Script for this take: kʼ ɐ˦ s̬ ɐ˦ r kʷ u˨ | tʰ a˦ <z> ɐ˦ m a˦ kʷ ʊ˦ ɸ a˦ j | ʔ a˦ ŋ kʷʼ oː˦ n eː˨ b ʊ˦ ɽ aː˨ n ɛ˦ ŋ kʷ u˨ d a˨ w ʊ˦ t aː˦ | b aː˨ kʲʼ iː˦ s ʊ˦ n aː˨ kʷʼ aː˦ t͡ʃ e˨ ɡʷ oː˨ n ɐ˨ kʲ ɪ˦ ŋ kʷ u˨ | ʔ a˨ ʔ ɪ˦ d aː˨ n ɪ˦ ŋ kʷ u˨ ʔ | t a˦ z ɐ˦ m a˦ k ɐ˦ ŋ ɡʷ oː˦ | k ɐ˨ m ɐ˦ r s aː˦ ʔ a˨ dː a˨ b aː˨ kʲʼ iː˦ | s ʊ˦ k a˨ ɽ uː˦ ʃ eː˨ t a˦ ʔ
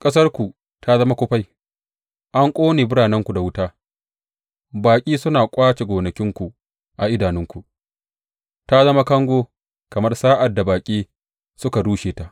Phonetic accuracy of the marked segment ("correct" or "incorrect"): correct